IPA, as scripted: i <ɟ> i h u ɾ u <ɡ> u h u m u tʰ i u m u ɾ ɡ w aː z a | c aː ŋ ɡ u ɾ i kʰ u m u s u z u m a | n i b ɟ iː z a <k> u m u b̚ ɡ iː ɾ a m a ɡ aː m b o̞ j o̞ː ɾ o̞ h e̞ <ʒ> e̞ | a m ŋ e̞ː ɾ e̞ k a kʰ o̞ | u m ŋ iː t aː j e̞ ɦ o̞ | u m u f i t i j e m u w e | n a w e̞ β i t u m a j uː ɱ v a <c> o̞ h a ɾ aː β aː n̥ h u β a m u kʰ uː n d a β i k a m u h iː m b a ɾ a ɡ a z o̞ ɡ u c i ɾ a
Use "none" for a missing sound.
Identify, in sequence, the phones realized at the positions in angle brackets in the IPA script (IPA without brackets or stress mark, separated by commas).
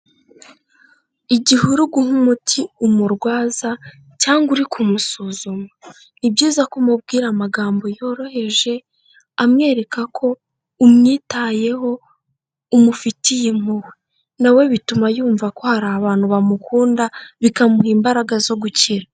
ɟ, ɡ, k, ʒ, k